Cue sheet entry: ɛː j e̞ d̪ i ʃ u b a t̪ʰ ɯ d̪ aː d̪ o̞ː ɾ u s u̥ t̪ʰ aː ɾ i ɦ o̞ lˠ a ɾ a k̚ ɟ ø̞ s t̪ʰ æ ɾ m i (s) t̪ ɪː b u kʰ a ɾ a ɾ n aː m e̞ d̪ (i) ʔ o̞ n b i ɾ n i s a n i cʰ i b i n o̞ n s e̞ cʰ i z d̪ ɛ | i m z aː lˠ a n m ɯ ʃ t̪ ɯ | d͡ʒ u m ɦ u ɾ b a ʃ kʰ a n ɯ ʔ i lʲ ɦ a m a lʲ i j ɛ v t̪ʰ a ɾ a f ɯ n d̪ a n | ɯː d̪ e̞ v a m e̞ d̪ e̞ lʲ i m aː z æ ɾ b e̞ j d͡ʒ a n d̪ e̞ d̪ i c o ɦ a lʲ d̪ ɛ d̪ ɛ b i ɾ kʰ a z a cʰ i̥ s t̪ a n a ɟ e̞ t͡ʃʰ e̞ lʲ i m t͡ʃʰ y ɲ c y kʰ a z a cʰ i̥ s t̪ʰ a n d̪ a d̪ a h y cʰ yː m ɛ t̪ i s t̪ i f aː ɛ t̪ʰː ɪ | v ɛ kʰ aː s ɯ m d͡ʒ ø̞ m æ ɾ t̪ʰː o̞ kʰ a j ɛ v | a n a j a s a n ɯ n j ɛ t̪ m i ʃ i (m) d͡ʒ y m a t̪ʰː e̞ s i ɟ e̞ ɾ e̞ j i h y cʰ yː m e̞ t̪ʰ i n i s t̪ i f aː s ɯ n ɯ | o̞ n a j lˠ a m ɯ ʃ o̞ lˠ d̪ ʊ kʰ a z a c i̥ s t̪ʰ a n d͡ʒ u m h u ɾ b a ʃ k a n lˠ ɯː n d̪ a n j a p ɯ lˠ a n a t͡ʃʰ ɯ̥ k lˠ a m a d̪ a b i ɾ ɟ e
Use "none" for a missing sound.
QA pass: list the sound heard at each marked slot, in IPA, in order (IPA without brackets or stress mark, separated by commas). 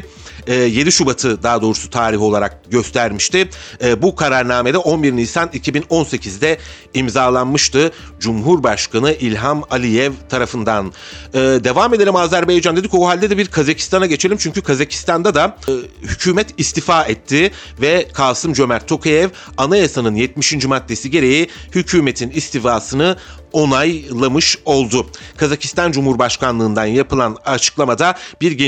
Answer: ʃ, ɛ, n